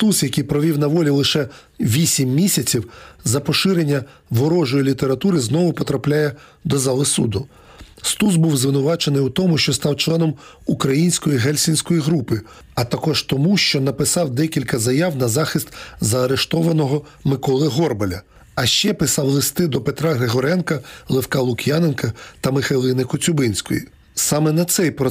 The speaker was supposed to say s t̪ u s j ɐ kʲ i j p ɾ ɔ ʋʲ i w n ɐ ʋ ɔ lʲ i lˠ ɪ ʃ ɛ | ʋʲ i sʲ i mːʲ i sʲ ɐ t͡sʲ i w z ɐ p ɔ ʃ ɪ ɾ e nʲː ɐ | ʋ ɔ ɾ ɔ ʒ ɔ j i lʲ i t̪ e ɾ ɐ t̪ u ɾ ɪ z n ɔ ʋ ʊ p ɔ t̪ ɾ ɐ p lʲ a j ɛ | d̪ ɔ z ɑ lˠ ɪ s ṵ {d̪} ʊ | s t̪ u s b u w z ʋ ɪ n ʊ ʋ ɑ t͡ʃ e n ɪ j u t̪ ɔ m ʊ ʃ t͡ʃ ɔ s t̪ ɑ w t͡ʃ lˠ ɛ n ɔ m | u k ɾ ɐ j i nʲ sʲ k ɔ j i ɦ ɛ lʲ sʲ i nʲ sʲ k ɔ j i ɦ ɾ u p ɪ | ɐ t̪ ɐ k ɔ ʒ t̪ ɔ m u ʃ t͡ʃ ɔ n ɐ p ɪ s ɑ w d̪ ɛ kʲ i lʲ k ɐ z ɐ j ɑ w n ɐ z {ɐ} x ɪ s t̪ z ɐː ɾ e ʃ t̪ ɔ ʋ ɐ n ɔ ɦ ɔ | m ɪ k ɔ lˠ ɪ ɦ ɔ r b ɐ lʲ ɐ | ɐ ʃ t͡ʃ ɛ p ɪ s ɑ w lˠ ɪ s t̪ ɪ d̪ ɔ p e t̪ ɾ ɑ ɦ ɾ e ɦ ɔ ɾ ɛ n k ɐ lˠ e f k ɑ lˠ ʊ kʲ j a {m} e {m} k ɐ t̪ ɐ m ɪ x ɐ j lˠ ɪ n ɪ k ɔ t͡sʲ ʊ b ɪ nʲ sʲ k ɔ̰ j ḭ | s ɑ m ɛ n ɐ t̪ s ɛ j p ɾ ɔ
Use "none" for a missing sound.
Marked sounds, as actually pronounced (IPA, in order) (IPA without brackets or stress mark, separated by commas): d̪, ɑ, n, n